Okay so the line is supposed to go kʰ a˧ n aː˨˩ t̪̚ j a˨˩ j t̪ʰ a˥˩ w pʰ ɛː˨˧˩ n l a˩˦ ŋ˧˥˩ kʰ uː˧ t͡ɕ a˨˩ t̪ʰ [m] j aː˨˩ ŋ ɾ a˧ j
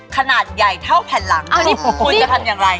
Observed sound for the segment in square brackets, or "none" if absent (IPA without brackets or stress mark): m